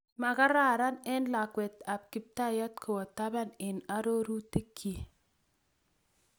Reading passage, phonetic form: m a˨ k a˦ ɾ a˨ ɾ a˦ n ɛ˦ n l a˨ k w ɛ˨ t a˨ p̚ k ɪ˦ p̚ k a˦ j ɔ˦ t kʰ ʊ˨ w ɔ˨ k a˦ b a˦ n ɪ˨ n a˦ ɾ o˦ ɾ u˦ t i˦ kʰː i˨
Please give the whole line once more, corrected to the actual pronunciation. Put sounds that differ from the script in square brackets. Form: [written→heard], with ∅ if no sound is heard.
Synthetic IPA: m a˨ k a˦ ɾ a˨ ɾ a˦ n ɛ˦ n l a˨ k w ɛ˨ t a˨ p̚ k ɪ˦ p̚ [k→t] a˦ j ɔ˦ t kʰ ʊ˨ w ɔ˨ [k→t] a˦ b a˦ n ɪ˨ n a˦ ɾ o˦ ɾ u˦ t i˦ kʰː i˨